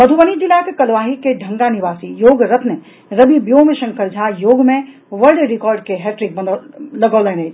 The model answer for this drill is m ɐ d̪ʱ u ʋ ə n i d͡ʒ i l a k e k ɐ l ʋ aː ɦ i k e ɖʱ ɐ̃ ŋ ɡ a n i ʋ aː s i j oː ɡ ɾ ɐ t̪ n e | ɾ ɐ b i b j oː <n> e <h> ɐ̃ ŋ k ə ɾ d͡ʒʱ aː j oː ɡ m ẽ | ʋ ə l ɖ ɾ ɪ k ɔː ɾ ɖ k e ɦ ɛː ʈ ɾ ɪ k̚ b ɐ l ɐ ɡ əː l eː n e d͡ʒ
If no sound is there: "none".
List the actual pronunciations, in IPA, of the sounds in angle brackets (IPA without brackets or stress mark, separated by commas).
m, ʃ